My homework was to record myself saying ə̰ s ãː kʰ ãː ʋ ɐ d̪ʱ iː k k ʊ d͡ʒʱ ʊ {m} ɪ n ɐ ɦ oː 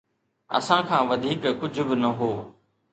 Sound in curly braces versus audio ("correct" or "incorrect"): incorrect